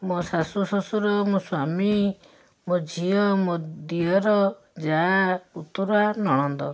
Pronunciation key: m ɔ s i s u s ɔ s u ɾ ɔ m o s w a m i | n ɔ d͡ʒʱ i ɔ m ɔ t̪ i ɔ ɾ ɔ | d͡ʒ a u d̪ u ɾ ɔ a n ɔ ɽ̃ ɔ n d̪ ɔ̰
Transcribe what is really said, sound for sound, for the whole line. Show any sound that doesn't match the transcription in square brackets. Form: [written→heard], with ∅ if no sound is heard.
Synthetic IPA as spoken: m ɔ s [i→a] s u s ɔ s u ɾ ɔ m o s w a m i | [n→m] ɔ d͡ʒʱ i ɔ m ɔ [t̪→d̪] i ɔ ɾ ɔ | d͡ʒ a u [d̪→t̪] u ɾ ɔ a n ɔ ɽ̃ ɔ n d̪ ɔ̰